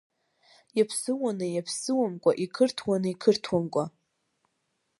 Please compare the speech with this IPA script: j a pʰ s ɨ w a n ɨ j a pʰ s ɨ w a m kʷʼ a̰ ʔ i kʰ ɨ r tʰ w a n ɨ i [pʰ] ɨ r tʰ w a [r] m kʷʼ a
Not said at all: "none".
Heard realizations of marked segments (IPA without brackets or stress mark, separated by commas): kʰ, none